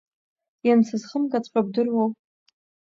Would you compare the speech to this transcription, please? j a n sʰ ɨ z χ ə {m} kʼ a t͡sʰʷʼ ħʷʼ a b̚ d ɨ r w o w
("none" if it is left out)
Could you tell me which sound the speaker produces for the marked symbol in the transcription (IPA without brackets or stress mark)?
m